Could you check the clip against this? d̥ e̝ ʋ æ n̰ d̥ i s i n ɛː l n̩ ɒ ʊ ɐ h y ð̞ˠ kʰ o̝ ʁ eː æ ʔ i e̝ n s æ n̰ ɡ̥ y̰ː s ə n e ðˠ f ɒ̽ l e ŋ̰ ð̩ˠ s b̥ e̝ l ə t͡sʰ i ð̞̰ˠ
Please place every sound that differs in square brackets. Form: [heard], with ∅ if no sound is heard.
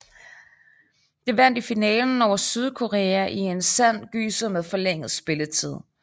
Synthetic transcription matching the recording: d̥ e̝ ʋ æ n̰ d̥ i [f] i n ɛː l n̩ ɒ ʊ ɐ [s] y ð̞ˠ kʰ o̝ ʁ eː æ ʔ i e̝ n s æ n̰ ɡ̥ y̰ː s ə [m] e ðˠ f ɒ̽ l e ŋ̰ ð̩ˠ s b̥ e̝ l ə t͡sʰ i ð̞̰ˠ